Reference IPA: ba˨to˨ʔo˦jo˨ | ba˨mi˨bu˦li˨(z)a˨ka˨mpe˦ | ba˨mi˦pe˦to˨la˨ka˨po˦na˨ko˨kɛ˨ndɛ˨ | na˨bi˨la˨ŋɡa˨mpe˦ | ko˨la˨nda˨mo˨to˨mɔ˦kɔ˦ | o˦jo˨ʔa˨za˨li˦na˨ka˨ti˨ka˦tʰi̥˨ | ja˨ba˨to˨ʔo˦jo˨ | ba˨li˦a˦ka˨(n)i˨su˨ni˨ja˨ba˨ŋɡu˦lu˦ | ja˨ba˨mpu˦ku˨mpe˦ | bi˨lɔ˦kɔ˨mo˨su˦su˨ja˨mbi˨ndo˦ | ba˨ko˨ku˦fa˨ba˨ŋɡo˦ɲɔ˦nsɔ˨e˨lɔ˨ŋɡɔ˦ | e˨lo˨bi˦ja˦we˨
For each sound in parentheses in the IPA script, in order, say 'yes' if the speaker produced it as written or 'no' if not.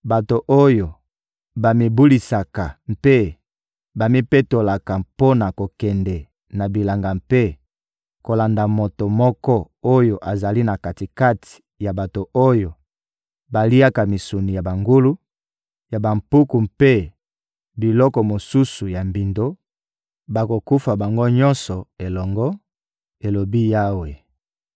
no, no

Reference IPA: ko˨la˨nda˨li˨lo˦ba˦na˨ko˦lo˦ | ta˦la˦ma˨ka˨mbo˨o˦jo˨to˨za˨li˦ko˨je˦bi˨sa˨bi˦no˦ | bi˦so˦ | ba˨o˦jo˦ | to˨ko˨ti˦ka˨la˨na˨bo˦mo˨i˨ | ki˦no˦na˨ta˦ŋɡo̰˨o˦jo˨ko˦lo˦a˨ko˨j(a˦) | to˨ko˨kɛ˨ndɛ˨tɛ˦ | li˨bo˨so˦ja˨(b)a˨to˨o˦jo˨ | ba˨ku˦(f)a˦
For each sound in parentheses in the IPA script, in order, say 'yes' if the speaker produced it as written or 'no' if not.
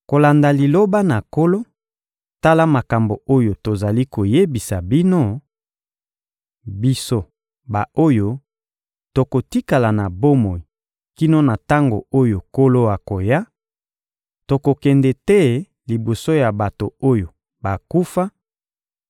yes, yes, yes

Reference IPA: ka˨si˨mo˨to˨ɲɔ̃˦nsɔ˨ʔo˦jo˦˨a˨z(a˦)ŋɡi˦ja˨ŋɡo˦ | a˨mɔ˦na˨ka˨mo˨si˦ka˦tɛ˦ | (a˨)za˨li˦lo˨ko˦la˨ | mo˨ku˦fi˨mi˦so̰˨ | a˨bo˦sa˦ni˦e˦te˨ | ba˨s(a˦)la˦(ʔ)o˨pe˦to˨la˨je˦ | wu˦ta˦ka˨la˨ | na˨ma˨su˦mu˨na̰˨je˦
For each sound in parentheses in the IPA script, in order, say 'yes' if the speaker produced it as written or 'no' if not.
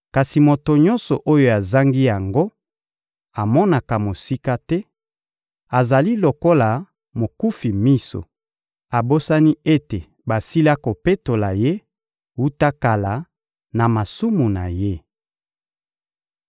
yes, yes, no, no

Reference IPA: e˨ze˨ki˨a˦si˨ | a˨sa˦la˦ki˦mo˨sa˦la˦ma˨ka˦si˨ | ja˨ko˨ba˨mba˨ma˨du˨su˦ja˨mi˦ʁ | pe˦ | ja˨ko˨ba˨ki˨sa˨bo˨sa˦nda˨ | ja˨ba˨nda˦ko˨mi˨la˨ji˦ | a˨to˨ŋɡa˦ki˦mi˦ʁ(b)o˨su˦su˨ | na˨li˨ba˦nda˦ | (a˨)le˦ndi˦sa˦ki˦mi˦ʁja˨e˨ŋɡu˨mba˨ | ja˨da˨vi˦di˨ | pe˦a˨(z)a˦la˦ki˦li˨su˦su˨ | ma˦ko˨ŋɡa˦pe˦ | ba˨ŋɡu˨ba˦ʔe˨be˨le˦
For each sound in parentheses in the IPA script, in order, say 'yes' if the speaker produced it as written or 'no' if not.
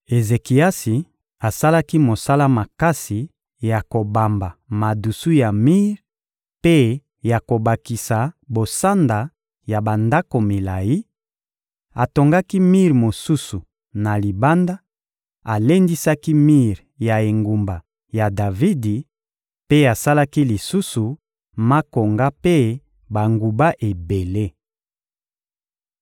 no, yes, no

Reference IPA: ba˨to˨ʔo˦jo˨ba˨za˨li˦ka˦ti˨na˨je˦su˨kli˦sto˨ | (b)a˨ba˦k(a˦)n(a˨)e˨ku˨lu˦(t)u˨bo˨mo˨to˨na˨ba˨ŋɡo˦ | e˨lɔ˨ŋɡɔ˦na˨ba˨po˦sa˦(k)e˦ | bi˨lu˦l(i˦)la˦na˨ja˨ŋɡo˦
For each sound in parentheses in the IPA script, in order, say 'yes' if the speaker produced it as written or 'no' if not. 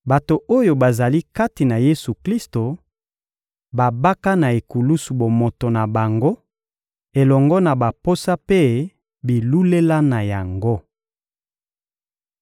yes, yes, yes, no, no, no

